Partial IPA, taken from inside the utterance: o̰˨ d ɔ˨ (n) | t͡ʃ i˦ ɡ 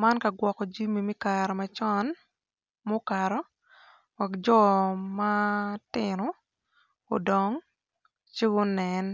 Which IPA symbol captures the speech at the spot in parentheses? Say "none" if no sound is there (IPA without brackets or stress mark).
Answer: ŋ